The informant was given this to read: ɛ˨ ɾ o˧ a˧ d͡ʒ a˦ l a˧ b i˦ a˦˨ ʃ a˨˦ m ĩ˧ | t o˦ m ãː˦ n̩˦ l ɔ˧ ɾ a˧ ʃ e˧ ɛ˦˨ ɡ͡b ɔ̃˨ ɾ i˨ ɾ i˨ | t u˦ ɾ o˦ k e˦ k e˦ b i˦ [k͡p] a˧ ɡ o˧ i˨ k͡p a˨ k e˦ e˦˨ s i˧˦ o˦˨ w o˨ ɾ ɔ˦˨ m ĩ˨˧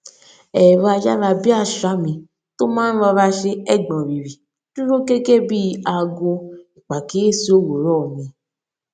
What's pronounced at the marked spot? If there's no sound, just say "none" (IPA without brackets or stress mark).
none